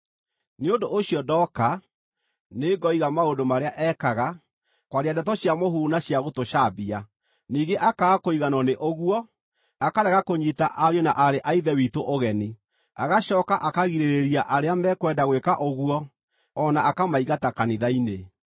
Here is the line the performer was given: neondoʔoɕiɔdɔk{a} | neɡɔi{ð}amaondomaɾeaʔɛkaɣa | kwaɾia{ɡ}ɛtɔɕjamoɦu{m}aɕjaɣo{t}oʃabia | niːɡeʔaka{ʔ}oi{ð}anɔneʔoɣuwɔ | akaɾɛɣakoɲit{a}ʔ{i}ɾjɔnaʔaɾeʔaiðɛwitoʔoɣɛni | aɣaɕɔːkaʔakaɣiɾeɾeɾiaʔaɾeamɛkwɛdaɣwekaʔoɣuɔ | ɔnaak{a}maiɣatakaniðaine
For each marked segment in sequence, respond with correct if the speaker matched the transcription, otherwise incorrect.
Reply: correct, incorrect, incorrect, incorrect, correct, incorrect, incorrect, correct, incorrect, correct

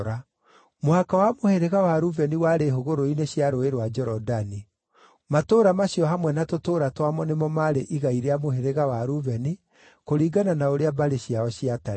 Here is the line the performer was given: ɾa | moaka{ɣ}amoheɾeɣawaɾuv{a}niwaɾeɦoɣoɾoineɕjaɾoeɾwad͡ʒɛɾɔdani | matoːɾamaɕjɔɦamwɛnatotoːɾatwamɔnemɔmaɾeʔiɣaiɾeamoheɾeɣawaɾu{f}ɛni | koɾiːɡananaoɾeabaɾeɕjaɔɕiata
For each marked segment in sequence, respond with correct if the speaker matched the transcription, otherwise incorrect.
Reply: incorrect, incorrect, incorrect

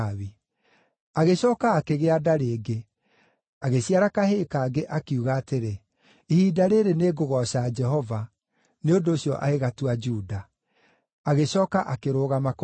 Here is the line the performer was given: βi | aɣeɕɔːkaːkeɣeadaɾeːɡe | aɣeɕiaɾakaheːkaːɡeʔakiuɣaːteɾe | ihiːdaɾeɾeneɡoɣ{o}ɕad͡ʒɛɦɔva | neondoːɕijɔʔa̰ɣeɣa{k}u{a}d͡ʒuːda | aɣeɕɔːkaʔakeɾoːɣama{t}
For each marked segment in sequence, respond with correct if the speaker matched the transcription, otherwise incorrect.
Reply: incorrect, incorrect, correct, incorrect

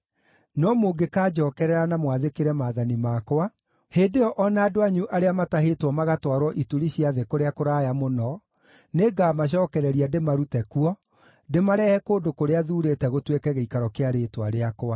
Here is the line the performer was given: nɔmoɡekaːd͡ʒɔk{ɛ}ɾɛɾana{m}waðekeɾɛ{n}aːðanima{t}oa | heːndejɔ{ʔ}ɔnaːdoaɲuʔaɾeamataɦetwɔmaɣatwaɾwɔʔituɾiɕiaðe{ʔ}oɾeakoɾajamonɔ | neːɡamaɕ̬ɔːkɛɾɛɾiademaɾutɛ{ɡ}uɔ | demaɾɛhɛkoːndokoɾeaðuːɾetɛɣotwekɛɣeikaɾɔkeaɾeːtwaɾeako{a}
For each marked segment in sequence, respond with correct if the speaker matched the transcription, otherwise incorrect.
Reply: correct, correct, incorrect, incorrect, correct, incorrect, incorrect, correct

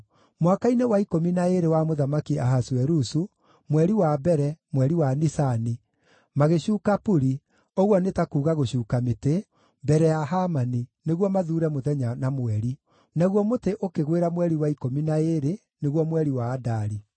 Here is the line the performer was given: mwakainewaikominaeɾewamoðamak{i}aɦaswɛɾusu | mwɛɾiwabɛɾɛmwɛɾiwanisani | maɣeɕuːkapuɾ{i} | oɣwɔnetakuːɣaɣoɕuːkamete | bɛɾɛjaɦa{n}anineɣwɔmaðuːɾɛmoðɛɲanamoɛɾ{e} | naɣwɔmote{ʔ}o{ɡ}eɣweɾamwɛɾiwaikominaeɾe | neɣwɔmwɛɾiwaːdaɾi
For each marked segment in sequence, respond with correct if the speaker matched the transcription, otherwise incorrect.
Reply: correct, correct, incorrect, incorrect, correct, incorrect

